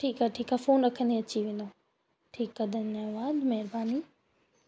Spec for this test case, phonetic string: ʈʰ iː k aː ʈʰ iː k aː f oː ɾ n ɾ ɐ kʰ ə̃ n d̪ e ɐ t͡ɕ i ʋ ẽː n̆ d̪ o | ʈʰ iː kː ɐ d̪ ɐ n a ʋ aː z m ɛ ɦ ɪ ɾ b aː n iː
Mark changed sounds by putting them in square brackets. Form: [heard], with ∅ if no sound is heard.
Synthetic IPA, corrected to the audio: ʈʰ iː k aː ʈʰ iː k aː f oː [∅] n ɾ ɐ kʰ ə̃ n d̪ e ɐ t͡ɕ i ʋ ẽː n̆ d̪ o | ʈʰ iː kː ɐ d̪ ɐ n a ʋ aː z m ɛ ɦ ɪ ɾ b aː n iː